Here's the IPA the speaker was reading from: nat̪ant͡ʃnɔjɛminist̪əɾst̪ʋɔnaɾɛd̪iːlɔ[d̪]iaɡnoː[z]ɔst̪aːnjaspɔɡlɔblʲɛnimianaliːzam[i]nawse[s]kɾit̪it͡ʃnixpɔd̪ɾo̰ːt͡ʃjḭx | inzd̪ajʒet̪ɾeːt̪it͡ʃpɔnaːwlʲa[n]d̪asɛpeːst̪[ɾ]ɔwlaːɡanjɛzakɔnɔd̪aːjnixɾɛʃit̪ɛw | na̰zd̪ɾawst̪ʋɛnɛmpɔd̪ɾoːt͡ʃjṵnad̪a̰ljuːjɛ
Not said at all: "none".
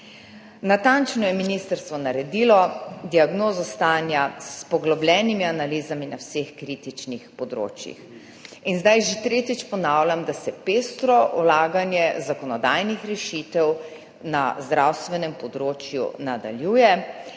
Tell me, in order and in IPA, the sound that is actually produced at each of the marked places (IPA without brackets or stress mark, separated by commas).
d̪, z, i, x, m, ɾ